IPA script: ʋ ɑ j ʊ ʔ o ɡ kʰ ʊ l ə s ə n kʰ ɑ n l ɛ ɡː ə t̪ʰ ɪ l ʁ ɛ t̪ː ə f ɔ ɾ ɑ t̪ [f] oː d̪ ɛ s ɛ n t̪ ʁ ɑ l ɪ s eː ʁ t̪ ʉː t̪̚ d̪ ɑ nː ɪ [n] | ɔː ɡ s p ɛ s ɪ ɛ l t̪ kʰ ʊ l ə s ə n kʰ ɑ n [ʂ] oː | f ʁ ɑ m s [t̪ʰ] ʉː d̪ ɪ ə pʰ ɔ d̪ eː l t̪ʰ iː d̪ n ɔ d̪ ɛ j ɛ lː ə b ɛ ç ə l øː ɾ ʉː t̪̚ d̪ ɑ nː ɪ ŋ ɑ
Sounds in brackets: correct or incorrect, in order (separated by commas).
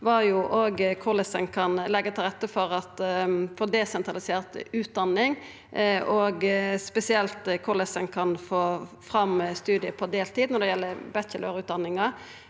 correct, incorrect, incorrect, incorrect